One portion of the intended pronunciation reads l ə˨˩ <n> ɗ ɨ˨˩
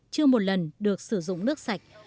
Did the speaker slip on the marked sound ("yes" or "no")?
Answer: no